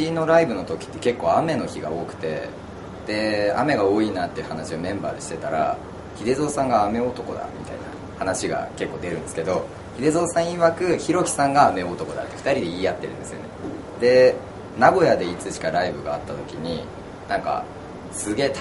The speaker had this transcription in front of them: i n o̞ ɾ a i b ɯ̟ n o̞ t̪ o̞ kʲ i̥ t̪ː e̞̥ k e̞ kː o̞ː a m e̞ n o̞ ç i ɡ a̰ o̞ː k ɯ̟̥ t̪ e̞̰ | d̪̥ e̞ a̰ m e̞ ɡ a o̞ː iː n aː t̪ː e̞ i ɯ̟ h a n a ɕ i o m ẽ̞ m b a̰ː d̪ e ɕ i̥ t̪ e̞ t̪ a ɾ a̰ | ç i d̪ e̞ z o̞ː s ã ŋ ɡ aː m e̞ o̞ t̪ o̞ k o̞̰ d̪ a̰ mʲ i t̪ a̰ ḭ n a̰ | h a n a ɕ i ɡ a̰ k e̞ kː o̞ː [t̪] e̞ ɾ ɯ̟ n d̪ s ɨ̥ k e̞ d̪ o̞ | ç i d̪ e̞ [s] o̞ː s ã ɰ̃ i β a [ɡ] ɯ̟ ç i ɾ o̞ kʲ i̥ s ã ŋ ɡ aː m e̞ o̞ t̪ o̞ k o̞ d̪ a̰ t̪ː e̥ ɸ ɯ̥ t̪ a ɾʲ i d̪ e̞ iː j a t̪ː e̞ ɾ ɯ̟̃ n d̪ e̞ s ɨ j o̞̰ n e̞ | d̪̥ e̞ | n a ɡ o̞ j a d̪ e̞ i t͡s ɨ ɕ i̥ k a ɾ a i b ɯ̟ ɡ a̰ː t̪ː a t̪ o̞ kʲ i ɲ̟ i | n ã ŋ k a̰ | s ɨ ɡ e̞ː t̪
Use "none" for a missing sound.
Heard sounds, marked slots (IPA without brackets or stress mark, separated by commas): d̪, z, k